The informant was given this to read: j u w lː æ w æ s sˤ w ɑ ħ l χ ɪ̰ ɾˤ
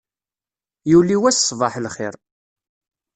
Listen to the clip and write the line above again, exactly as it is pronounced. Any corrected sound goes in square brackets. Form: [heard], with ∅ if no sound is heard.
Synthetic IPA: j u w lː [i] w æ s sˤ [v] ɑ ħ l χ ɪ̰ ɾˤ

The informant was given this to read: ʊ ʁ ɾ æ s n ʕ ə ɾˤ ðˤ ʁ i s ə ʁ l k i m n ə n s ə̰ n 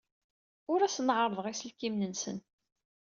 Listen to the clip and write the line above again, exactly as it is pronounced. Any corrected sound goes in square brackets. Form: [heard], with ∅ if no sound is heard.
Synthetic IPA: ʊ [∅] ɾ æ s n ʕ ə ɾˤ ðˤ ʁ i s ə [∅] l k i m n ə n s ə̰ n

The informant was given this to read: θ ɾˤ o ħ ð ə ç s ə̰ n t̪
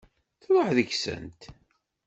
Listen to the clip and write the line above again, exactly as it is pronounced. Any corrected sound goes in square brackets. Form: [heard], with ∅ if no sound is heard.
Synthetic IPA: θ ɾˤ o ħ ð ə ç s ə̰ n t̪

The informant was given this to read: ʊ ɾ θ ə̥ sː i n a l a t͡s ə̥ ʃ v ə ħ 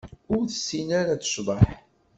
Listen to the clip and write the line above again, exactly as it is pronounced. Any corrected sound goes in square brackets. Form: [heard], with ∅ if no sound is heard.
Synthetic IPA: ʊ ɾ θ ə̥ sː i n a [ɾ] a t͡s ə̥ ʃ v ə ħ

